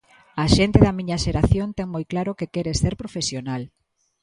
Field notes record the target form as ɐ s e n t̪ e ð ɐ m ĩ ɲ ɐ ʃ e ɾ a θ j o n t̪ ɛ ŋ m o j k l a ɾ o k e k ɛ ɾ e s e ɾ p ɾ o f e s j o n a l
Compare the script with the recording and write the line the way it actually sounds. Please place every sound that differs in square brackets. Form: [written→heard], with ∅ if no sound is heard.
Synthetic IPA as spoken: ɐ [s→ʃ] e n t̪ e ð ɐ m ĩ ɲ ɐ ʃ e ɾ a θ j o n t̪ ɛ ŋ m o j k l a ɾ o k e k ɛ ɾ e s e ɾ p ɾ o f e s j o n a l